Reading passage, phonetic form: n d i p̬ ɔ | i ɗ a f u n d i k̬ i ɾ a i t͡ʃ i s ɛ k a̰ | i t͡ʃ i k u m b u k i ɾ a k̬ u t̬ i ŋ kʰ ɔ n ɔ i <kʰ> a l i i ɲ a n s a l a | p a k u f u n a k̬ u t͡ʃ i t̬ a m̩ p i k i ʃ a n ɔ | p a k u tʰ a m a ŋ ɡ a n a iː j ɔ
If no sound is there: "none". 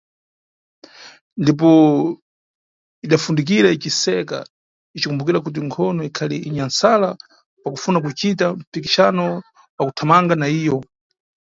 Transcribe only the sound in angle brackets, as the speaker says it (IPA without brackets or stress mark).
kʰ